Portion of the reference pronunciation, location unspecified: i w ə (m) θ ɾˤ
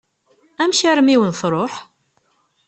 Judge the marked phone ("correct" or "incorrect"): incorrect